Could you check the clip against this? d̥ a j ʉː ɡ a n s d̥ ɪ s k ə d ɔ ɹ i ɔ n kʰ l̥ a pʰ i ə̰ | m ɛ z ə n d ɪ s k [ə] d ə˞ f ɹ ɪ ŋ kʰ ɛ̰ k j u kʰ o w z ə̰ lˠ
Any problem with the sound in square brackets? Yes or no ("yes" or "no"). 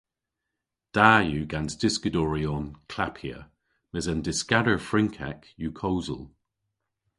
yes